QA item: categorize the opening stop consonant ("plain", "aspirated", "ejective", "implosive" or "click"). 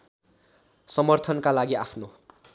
aspirated